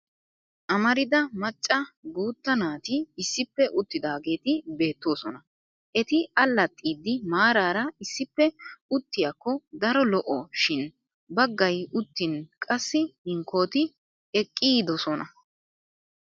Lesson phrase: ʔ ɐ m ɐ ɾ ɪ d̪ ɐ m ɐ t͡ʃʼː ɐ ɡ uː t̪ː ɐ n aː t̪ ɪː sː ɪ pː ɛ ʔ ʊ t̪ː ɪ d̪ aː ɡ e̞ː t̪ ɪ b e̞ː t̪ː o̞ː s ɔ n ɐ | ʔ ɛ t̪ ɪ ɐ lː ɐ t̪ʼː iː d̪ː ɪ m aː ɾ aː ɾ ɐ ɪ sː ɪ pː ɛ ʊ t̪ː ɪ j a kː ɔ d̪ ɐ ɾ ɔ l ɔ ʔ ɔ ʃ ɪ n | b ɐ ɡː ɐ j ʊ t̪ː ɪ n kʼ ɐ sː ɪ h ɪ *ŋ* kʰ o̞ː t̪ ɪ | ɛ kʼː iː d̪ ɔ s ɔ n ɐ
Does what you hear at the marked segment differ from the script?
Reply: no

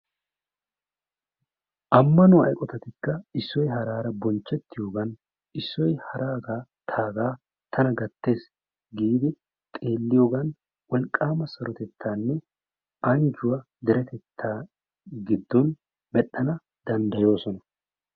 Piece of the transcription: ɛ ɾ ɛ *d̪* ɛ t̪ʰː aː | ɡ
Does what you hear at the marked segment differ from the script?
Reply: yes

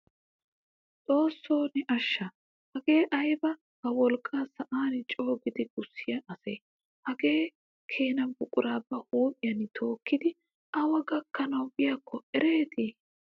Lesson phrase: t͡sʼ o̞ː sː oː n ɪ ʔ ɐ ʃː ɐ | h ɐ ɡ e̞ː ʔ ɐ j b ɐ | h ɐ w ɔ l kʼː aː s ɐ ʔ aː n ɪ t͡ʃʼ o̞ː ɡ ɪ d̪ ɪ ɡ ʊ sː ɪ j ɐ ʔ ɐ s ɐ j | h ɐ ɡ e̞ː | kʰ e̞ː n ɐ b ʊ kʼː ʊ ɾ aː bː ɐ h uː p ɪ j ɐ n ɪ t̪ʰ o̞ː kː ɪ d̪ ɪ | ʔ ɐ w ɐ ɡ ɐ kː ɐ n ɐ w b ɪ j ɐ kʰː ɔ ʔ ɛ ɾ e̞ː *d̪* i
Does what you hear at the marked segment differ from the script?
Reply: yes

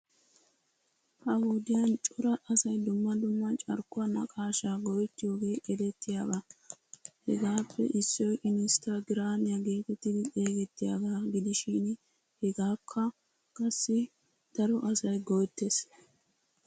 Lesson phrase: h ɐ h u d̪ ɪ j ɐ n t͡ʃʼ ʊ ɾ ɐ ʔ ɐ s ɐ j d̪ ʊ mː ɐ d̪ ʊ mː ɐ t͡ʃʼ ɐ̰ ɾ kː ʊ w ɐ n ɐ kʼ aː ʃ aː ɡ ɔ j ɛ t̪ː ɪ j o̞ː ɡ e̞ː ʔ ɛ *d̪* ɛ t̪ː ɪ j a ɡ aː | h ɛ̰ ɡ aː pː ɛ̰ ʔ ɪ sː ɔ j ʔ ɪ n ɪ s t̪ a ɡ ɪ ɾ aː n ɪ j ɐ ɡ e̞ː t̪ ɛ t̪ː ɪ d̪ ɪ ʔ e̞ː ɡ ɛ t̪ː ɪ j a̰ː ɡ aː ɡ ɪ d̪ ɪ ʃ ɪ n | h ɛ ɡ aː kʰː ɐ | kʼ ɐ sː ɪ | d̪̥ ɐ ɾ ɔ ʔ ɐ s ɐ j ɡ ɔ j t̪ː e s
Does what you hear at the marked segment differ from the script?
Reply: no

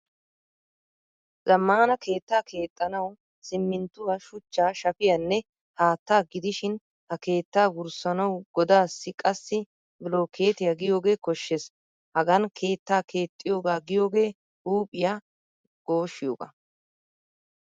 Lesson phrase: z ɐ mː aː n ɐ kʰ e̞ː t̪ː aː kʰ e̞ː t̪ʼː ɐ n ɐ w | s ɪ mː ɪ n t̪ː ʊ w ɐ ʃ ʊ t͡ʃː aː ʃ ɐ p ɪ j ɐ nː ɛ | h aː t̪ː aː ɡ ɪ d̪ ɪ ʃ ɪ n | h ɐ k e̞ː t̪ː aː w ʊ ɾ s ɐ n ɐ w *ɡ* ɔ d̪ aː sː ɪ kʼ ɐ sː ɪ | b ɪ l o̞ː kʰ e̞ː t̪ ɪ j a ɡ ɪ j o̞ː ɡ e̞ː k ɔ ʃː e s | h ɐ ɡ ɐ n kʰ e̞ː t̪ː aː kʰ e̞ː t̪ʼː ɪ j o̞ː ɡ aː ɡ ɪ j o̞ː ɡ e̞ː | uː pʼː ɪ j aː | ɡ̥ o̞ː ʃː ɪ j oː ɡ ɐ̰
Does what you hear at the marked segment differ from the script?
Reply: no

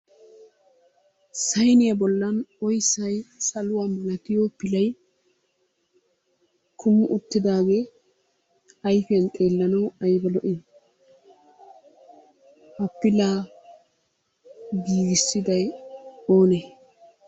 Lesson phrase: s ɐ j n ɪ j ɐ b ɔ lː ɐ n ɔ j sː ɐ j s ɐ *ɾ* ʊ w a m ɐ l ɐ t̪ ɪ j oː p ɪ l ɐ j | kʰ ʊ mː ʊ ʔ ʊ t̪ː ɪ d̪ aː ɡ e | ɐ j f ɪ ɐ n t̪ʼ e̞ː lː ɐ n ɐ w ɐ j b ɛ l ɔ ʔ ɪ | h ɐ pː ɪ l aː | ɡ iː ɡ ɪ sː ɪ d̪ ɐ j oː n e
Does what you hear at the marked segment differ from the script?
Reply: yes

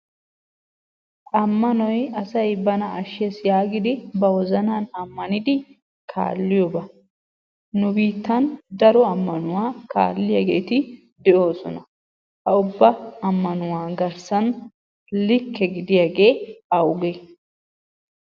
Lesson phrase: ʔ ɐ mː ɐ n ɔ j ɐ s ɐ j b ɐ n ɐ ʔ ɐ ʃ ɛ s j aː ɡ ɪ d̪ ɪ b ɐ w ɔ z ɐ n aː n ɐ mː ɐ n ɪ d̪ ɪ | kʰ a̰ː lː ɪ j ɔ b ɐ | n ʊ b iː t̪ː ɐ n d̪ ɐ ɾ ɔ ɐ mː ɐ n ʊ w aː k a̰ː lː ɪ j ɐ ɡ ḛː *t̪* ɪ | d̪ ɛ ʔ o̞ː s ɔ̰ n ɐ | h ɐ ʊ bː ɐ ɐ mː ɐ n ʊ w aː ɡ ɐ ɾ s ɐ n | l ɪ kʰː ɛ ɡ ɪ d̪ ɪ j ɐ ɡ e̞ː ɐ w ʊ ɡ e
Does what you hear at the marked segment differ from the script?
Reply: no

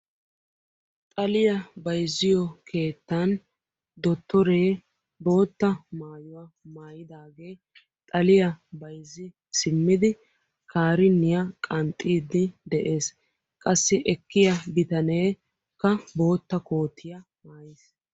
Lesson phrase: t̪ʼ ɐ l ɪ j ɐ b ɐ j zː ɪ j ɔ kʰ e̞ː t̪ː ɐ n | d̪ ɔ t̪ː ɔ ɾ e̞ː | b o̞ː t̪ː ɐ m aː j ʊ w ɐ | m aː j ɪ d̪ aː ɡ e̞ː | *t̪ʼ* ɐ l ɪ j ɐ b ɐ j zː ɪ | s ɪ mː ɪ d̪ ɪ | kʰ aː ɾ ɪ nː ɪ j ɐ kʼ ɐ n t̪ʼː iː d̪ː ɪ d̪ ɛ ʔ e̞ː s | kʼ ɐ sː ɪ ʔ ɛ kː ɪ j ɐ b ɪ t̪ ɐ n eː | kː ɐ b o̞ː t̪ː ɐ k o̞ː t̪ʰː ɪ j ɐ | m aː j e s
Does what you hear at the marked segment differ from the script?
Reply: no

